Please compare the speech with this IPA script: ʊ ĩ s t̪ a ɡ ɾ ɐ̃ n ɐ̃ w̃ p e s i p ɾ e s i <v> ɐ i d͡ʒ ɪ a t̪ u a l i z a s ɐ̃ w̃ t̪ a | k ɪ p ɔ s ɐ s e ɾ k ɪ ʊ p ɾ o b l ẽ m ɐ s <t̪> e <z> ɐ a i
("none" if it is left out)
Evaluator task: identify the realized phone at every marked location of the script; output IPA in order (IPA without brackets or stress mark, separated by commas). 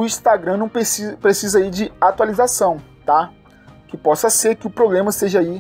z, t̪, ʒ